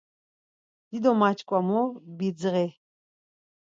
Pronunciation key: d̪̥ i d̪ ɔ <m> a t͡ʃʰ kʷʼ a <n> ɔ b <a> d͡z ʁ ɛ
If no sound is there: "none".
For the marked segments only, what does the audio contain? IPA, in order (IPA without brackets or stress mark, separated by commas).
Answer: m, m, i